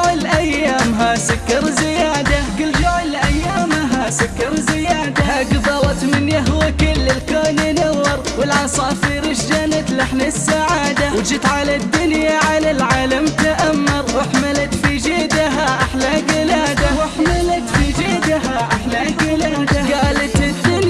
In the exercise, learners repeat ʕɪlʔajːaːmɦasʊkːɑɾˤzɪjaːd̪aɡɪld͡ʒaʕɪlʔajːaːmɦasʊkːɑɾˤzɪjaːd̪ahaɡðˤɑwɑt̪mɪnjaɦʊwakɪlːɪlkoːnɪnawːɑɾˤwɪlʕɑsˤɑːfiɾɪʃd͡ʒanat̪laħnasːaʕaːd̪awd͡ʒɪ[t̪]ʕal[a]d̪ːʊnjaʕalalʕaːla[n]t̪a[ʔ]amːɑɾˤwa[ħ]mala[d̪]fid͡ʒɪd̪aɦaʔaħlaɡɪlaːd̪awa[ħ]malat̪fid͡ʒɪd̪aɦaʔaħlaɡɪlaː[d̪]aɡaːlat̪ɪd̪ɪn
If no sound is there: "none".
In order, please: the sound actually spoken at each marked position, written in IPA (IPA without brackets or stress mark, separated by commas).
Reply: t̪, a, m, ʔ, ħ, t̪, ħ, d̪